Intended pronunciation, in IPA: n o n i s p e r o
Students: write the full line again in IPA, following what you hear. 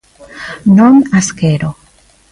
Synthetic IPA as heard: n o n a s k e ɾ o

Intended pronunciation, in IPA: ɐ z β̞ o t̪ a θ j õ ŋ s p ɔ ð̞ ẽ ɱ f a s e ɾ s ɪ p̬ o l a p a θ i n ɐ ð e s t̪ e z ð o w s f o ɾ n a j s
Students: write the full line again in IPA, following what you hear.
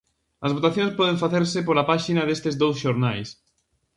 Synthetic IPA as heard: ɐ z β̞ o t̪ a θ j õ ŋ s p ɔ ð̞ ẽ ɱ f a θ e ɾ s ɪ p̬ o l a p a ʃ i n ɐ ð e s t̪ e z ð o w s ʃ o ɾ n a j s

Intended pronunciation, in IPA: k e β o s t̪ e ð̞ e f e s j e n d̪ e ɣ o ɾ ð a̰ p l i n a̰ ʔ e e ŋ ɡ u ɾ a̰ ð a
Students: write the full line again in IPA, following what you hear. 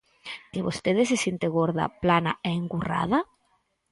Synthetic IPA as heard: k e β o s t̪ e ð̞ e s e s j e n t̪ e ɣ o ɾ ð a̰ p l a n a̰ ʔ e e ŋ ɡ u r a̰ ð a

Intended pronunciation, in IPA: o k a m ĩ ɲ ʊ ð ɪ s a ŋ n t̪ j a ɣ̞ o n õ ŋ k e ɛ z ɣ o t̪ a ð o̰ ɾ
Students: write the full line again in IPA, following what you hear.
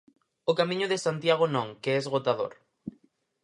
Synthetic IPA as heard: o k a m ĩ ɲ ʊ ð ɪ s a n t̪ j a ɣ̞ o n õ ŋ k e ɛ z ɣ o t̪ a ð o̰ ɾ

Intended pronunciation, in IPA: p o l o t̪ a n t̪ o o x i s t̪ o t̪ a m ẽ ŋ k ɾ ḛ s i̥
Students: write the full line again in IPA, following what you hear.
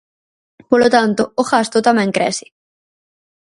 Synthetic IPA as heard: p o l o t̪ a n t̪ o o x a s t̪ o t̪ a m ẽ ŋ k ɾ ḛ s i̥

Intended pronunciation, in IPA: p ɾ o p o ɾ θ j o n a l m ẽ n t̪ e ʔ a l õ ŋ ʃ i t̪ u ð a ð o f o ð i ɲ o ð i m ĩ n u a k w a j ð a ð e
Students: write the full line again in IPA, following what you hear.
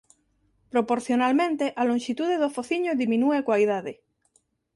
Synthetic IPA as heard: p ɾ o p o ɾ θ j o n a l m ẽ n t̪ e ʔ a l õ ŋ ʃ i t̪ u ð e ð o f o θ i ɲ o ð i m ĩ n u e k w a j ð a ð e

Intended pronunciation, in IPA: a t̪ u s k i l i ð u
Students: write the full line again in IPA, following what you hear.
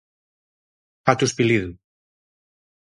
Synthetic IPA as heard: a t̪ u s p i l i ð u

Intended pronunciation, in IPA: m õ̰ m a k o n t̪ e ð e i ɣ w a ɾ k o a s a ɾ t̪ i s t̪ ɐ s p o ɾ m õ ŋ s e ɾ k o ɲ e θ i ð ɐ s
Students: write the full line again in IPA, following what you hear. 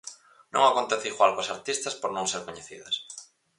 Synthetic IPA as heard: n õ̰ ŋ a k o n t̪ e θ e i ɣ w a l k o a s a ɾ t̪ i s t̪ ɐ s p o ɾ n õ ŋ s e ɾ k o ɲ e θ i ð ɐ s

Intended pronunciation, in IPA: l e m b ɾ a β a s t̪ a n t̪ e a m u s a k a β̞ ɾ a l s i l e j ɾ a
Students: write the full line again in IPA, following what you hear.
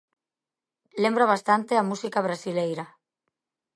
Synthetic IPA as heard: l e m b ɾ a β a s t̪ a n t̪ e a m u s i k a β̞ ɾ a s i l e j ɾ a

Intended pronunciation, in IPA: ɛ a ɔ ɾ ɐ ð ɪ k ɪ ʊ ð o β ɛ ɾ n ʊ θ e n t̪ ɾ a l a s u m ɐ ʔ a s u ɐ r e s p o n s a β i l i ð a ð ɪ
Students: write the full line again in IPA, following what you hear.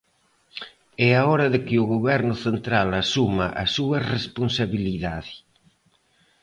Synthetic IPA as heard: ɛ a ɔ ɾ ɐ ð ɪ k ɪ ʊ ɣ o β ɛ ɾ n ʊ θ e n t̪ ɾ a l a s u m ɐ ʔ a s u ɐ r e s p o n s a β i l i ð a ð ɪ

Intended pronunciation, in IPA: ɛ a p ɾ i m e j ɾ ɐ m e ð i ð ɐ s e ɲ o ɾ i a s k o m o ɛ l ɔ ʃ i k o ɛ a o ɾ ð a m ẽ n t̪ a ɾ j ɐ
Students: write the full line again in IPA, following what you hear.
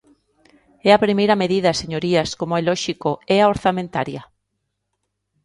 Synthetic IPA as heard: ɛ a p ɾ i m e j ɾ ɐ m e ð i ð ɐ s e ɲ o ɾ i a s k o m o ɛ l ɔ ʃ i k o ɛ a o ɾ θ a m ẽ n t̪ a ɾ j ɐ

